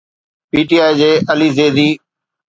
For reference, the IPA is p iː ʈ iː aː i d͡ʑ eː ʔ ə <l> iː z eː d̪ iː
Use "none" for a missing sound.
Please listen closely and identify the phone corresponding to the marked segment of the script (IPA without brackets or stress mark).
l